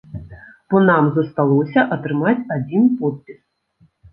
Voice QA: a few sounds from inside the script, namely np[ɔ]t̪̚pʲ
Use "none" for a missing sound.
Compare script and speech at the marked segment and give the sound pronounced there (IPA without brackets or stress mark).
ɔ